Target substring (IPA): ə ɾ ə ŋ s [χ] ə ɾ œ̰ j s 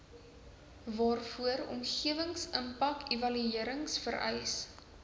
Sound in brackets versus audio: incorrect: f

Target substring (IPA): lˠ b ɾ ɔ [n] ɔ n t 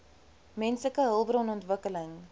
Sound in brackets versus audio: correct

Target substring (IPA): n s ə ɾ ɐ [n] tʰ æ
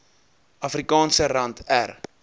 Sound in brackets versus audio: correct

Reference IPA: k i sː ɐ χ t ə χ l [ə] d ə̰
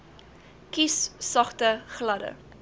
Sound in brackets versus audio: incorrect: ɐ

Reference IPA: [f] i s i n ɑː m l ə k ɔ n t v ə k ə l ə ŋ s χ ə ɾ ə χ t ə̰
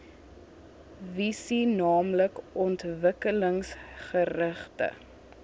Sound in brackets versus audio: incorrect: v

